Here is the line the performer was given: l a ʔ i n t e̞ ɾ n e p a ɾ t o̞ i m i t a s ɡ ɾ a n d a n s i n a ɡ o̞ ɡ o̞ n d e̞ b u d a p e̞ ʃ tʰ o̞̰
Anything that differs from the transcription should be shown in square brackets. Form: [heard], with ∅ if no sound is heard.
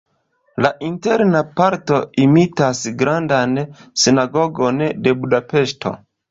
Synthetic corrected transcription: l a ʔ i n t e̞ ɾ n [a] p a ɾ t o̞ i m i t a s ɡ ɾ a n d a n s i n a ɡ o̞ ɡ o̞ n d e̞ b u d a p e̞ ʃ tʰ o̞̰